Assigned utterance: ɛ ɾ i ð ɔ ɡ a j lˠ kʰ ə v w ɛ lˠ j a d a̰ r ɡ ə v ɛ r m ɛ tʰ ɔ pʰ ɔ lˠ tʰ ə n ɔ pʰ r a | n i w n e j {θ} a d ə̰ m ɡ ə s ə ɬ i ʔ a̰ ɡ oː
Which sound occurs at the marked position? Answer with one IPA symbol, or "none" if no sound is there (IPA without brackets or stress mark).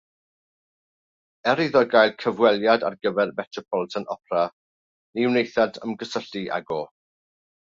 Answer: θ